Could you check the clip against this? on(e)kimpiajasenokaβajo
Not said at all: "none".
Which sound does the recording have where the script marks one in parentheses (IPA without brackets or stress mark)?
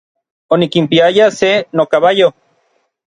i